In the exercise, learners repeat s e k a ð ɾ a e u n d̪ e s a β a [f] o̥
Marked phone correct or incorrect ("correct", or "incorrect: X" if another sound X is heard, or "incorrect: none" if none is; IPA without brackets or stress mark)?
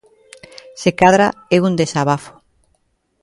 correct